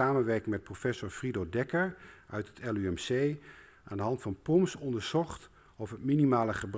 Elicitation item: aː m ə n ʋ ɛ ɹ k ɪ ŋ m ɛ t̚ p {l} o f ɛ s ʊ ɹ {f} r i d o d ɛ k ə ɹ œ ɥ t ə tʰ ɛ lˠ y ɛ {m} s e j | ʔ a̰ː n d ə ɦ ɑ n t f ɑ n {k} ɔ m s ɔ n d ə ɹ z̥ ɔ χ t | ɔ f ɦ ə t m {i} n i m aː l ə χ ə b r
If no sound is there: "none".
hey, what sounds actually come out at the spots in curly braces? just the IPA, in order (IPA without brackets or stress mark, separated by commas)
r, f, m, p, i